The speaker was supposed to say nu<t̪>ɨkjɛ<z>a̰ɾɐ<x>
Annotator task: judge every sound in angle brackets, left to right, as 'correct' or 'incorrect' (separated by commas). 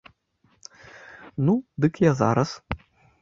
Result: incorrect, correct, incorrect